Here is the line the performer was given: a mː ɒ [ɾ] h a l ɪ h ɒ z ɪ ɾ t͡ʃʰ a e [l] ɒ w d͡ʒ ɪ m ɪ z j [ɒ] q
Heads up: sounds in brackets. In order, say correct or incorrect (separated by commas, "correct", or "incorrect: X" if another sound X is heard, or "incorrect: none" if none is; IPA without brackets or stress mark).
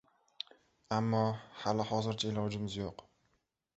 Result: incorrect: none, correct, incorrect: o